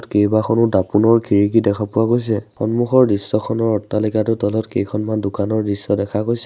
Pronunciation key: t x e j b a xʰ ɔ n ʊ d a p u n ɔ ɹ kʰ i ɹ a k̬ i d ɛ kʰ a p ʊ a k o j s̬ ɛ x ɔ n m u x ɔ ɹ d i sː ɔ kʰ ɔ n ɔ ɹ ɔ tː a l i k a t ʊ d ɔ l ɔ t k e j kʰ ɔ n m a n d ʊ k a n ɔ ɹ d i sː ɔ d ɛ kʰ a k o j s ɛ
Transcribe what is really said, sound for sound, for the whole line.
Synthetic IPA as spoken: t k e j b a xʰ ɔ n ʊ d a p u n ɔ ɹ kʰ i ɹ i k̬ i d ɛ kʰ a p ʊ a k o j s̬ ɛ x ɔ n m u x ɔ ɹ d i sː ɔ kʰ ɔ n ɔ ɹ ɔ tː a l i k a t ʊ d ɔ l ɔ t k e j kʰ ɔ n m a n d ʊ k a n ɔ ɹ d i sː ɔ d ɛ kʰ a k o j s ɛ